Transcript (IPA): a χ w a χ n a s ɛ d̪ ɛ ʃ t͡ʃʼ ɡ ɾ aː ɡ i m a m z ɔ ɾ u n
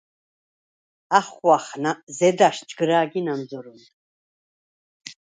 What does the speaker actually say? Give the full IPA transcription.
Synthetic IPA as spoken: a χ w a χ n a z ɛ d̪ a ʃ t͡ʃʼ ɡ ɾ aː ɡ i n a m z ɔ ɾ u n